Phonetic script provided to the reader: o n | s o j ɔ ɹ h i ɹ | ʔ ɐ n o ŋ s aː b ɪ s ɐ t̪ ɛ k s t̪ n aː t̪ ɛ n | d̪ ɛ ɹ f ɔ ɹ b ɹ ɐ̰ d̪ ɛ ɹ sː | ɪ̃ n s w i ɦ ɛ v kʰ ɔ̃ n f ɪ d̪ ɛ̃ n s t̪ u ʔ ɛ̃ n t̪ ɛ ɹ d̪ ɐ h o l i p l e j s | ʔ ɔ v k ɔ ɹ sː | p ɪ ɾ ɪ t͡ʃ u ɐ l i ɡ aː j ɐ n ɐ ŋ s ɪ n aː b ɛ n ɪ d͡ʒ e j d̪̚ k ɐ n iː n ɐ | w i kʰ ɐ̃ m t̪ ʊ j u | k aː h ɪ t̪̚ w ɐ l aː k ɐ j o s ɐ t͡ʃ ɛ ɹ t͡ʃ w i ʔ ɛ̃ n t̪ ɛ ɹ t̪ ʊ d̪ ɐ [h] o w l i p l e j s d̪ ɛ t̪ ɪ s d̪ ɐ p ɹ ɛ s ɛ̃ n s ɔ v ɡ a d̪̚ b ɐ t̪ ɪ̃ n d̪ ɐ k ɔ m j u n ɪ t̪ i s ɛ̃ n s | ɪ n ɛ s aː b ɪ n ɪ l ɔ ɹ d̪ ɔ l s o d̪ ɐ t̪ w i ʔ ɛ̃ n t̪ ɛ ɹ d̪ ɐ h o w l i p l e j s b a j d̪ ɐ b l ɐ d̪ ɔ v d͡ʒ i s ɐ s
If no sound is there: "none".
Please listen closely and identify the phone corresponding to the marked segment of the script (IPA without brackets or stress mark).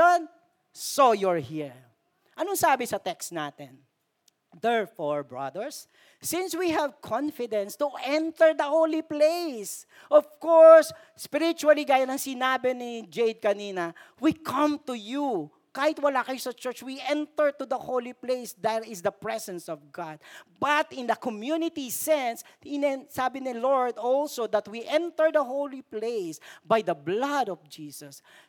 h